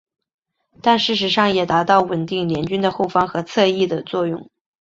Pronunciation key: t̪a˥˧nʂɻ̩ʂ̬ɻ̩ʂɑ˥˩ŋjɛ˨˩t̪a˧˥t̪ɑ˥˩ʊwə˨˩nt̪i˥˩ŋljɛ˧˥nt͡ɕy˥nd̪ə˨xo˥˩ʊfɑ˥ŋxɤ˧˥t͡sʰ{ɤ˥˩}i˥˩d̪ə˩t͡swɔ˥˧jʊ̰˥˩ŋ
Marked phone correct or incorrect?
incorrect